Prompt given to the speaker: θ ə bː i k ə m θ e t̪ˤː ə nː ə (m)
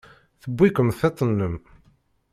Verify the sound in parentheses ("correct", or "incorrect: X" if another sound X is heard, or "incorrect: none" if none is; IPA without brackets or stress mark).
correct